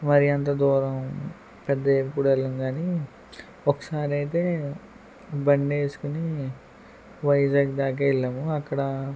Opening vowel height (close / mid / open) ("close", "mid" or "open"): open